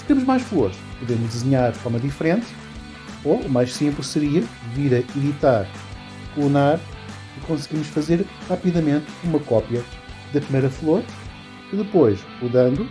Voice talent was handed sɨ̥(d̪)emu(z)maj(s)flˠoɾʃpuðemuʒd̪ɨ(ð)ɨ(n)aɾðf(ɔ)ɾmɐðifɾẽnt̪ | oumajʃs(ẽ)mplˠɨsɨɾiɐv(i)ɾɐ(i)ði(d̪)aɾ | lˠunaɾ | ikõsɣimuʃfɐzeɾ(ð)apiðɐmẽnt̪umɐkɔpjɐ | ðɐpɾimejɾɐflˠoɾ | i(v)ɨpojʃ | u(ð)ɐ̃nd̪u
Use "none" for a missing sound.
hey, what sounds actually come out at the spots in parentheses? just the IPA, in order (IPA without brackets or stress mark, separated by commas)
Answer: t̪, ʒ, ʃ, z, ɲ, ɔ, ĩ, i, i, t̪, ʁ, ð, ð